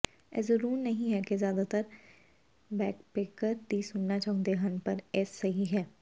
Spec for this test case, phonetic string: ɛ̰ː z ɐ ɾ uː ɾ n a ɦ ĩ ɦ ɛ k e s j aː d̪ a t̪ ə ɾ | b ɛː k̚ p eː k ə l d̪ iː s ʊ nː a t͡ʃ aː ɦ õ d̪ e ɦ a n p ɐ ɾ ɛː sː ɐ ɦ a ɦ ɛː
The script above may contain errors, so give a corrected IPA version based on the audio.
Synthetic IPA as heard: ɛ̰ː z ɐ ɾ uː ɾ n ɐ ɦ ĩ ɦ ɛ k e z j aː d̪ a t̪ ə ɾ | b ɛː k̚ p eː k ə ɾ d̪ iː s ʊ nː a t͡ʃ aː ɦ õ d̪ e ɦ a n p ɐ ɾ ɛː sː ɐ ɦ i ɦ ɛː